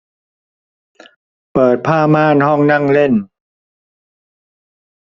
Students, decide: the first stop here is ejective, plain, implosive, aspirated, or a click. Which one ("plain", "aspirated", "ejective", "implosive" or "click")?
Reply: plain